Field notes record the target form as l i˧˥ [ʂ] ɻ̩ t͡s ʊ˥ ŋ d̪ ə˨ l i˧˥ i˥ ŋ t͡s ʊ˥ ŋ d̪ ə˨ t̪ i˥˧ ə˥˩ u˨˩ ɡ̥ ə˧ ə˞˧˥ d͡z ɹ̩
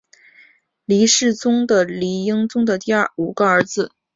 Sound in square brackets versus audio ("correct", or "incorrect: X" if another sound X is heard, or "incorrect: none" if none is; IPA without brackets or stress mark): correct